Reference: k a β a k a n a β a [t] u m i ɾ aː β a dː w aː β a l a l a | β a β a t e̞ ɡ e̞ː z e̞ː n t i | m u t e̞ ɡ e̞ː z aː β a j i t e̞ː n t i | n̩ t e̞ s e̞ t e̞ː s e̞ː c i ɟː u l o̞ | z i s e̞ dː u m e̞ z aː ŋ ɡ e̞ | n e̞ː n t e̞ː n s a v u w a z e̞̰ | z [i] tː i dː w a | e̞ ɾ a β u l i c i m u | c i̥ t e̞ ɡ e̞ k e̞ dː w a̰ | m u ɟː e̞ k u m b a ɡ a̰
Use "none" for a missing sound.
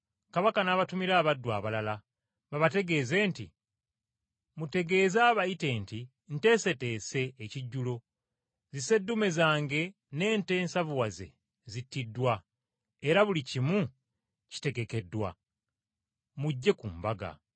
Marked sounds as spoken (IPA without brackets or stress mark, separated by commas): t, i